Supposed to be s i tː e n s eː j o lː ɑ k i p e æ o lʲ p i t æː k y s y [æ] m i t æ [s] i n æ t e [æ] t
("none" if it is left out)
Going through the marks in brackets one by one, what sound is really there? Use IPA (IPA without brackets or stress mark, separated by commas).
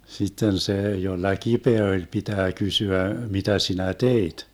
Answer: æ, s, i